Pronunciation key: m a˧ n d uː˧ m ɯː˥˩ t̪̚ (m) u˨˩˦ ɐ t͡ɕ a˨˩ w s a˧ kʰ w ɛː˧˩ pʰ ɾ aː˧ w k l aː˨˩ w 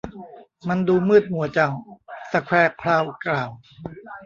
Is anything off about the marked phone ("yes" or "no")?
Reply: no